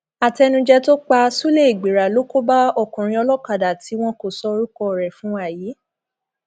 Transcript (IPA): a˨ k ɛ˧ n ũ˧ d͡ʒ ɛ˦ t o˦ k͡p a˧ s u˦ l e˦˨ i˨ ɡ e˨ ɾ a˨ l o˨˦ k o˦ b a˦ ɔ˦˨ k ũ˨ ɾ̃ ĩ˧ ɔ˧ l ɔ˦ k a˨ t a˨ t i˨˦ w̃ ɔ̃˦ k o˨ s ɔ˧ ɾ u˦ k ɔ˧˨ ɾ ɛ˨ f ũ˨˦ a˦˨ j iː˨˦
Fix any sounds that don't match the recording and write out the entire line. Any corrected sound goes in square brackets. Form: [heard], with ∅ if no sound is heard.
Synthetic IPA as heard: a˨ [t] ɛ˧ n ũ˧ d͡ʒ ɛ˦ t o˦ k͡p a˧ s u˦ l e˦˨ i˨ [ɡ͡b] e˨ ɾ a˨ l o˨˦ k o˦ b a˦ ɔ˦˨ k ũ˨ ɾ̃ ĩ˧ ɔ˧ l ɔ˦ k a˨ [d] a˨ t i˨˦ w̃ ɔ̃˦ k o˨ s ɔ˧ ɾ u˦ k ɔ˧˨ ɾ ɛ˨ f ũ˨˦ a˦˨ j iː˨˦